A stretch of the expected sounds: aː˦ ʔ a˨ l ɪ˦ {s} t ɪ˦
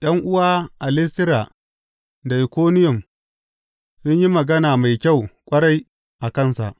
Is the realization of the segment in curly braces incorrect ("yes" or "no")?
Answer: no